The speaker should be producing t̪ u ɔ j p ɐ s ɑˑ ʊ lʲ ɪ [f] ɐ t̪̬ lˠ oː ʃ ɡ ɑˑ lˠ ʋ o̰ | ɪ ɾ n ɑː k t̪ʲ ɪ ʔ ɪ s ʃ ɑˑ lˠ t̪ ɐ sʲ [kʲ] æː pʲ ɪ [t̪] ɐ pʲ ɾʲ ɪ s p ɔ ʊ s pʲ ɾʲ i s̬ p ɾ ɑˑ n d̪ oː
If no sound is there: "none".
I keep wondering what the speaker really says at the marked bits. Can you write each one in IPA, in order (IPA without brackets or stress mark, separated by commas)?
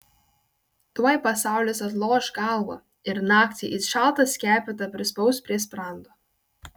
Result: s, kʲ, t̪